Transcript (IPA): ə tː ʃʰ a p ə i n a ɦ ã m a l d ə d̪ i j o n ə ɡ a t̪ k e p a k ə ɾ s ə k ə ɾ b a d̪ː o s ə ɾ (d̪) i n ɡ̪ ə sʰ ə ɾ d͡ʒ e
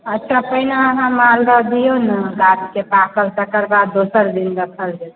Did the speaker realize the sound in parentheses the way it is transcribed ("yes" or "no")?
yes